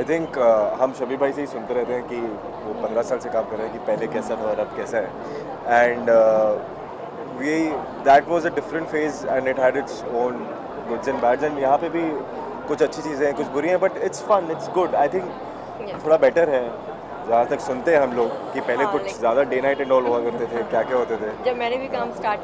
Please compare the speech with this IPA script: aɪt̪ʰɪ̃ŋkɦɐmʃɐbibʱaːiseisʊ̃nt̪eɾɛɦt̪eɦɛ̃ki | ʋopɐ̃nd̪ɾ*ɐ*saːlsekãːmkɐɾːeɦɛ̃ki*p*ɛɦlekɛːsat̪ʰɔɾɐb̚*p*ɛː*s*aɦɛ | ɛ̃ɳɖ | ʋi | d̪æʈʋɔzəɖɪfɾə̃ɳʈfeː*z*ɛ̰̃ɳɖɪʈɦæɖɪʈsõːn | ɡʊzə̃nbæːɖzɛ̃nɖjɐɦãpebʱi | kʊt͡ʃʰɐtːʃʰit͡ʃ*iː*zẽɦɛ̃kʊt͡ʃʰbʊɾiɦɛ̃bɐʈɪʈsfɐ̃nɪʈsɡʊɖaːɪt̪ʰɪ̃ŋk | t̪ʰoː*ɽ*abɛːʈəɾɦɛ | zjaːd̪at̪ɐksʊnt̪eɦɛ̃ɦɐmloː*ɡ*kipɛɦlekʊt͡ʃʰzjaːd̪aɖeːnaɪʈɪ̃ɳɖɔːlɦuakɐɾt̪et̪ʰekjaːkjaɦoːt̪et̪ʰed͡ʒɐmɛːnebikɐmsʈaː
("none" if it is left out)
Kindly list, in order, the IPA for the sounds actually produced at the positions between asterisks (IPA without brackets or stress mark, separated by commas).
a, p, k, s, z, iː, ɽ, ɡ